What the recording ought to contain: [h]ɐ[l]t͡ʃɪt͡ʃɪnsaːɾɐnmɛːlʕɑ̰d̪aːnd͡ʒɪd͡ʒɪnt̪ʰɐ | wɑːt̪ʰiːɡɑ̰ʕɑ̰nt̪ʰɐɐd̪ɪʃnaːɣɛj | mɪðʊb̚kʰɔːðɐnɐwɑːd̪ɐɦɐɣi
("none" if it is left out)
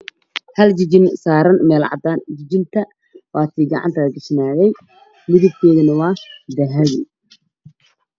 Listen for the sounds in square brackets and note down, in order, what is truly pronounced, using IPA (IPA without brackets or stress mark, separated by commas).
h, l